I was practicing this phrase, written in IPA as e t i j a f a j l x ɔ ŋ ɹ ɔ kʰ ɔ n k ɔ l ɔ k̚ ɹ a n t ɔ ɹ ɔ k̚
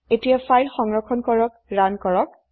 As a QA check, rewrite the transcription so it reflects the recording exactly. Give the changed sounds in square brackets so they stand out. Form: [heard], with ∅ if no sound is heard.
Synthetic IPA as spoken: e t i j a f a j l x ɔ ŋ ɹ ɔ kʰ ɔ n k ɔ [ɹ] ɔ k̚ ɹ a n [k] ɔ ɹ ɔ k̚